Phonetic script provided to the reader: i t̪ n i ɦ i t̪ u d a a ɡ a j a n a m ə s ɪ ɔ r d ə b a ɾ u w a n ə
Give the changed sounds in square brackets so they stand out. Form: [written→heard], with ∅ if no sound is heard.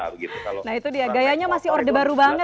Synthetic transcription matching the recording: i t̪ n [i→a] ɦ i t̪ u d [a→i] a ɡ a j a [n→ɲ] a m [ə→a] s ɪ ɔ r d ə b a ɾ u [w→b] a [n→ŋ] ə